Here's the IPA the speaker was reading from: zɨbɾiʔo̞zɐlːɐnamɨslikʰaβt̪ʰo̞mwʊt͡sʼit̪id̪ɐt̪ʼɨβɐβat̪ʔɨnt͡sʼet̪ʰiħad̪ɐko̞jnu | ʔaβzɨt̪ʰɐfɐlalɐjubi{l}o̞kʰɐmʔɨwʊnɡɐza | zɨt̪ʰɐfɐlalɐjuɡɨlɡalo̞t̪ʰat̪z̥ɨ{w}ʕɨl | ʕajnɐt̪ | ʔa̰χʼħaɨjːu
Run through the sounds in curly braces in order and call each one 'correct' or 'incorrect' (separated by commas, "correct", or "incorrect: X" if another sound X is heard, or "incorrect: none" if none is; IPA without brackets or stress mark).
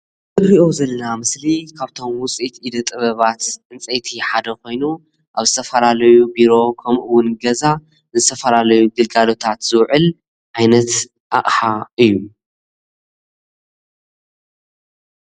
incorrect: ɾ, correct